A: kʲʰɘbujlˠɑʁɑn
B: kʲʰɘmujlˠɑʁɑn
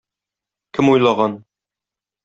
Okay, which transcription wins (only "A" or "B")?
B